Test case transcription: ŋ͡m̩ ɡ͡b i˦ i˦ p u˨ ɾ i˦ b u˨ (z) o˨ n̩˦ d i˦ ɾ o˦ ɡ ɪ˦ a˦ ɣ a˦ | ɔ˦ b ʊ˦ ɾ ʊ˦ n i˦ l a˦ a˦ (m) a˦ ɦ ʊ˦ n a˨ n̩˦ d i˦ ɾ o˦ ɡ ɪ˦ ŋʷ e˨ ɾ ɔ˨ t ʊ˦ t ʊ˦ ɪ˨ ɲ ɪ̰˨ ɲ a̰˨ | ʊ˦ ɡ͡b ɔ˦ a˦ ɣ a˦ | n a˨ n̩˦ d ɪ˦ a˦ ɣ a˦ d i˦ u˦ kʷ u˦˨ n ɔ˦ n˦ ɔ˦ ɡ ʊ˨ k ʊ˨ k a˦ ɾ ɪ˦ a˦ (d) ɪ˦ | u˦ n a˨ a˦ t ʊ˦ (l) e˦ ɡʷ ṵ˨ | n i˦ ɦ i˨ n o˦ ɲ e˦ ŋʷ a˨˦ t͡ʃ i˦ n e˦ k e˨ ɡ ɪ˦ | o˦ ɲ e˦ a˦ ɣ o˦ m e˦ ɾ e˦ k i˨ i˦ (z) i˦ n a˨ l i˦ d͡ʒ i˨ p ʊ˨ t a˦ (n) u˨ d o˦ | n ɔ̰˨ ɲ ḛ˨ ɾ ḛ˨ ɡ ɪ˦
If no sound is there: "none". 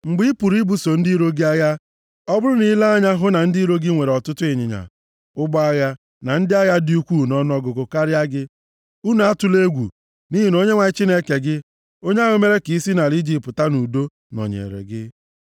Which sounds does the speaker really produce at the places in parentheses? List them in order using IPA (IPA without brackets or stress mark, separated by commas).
s, ɲ, ɡ, l, s, n